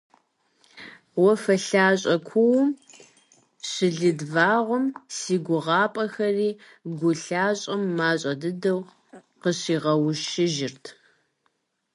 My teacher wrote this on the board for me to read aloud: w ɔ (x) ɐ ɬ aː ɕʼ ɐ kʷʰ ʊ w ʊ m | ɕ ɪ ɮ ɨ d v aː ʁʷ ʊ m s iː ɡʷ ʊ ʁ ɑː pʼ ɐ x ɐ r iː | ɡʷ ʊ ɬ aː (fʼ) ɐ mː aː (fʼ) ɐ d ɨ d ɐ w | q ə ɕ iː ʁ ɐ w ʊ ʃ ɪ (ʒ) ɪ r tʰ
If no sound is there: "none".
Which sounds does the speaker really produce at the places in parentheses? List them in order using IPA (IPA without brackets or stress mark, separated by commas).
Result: f, ɕʼ, ɕʼ, ʒ